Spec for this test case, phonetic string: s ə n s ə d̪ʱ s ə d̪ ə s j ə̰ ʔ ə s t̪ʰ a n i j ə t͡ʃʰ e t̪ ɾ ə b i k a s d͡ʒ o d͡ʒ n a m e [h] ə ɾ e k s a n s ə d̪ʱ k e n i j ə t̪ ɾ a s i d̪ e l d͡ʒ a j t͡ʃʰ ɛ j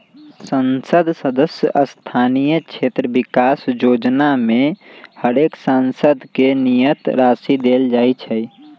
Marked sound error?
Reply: no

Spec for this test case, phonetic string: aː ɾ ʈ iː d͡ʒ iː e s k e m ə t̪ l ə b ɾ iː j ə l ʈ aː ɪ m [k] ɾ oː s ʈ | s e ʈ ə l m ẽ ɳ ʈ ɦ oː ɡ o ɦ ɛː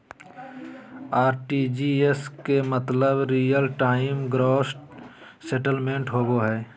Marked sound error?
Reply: yes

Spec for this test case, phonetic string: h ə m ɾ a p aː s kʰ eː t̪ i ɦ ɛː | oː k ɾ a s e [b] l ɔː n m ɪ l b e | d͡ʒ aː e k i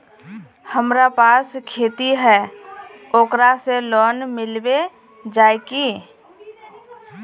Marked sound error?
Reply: yes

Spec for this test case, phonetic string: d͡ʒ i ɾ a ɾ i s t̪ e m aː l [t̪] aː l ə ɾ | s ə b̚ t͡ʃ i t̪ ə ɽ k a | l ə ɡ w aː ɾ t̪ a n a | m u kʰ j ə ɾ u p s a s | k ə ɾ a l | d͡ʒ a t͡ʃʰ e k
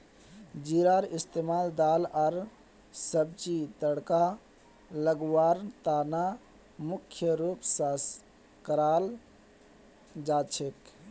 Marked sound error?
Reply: yes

